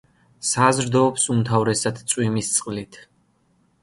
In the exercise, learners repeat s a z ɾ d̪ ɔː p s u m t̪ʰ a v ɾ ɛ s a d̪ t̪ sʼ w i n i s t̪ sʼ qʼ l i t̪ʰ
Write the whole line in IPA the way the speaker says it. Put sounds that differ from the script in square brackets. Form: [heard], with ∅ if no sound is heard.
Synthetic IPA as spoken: s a z ɾ d̪ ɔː p s u m t̪ʰ a v ɾ ɛ s a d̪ t̪ sʼ w i [m] i s t̪ sʼ qʼ l i t̪ʰ